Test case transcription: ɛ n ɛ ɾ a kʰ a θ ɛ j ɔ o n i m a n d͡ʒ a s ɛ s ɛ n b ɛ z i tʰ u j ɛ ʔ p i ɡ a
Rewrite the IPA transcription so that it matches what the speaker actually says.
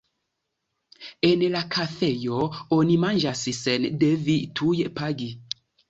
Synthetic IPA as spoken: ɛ n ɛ l a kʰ a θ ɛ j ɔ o n i m a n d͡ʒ a s i s ɛ n d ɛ v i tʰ u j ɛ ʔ p a ɡ i

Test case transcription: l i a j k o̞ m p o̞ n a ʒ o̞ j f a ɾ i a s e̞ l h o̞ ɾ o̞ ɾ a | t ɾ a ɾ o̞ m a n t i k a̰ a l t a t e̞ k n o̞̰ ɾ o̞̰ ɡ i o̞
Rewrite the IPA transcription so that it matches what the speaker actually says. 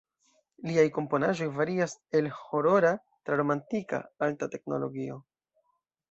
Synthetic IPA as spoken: l i a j k o̞ m p o̞ n a ʒ o̞ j v a ɾ i a s e̞ l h o̞ ɾ o̞ ɾ a | t ɾ a ɾ o̞ m a n t i k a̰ a l t a t e̞ k n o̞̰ l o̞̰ ɡ i o̞

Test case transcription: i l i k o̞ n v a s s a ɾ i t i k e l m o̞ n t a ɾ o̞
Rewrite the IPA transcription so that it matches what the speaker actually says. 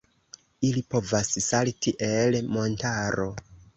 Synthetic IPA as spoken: i l i p o̞ v a s s a l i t i ʔ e l m o̞ n t a ɾ o̞

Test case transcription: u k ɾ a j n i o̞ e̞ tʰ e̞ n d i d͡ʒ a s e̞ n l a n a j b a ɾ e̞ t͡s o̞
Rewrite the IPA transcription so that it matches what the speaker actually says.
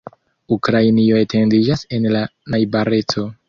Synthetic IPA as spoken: u k ɾ a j n i o̞ e̞ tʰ e̞ n d i d͡ʒ a s e̞ n l a n a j b a ɾ e̞ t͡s o̞

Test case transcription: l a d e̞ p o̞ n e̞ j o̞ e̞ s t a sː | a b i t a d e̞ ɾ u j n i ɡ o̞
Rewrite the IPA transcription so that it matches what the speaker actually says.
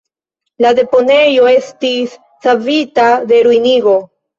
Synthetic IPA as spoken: l a d e̞ p o̞ n e̞ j o̞ e̞ s t i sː | a v i t a d e̞ ɾ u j n i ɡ o̞

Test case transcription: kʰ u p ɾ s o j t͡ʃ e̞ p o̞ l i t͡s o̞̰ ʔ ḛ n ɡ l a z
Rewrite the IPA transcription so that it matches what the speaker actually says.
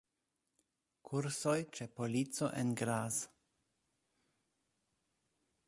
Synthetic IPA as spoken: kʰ u ɾ s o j t͡ʃ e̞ p o̞ l i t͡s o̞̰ ʔ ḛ n ɡ ɾ a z

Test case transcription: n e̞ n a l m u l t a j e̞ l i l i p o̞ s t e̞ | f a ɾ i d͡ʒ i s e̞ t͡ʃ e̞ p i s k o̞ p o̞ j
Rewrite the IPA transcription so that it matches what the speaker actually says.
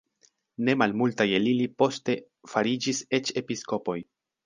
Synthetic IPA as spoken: n e̞ m a l m u l t a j e̞ l i l i p o̞ s t e̞ | f a ɾ i d͡ʒ i s e̞ t͡ʃ e̞ p i s k o̞ p o̞ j

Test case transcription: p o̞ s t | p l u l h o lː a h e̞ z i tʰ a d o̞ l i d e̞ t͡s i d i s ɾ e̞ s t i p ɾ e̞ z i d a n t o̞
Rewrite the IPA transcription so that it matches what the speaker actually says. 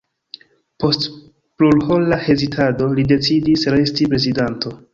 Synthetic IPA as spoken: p o̞ s t | p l u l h o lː a h e̞ z i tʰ a d o̞ l i d e̞ t͡s i d i s ɾ e̞ s t i p ɾ e̞ z i d a n t o̞

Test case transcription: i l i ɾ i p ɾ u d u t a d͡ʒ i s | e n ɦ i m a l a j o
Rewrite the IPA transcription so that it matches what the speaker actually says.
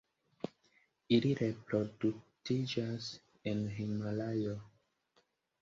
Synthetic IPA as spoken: i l i ɾ e p ɾ o d u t i d͡ʒ a s | e n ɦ i m a l a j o

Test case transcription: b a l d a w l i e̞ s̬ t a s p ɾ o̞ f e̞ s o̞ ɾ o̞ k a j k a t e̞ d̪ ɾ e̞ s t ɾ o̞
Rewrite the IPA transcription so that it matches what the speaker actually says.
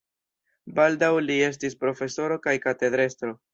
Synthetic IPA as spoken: b a l d a w l i e̞ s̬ t i s p ɾ o̞ f e̞ s o̞ ɾ o̞ k a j k a t e̞ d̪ ɾ e̞ s t ɾ o̞

